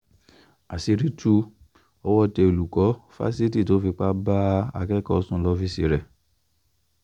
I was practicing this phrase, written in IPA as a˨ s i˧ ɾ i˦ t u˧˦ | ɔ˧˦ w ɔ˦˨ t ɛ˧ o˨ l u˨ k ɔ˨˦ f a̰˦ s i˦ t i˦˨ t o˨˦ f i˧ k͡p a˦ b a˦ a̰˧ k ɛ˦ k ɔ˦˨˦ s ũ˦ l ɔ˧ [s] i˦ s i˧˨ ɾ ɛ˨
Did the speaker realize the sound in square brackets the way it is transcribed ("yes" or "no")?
no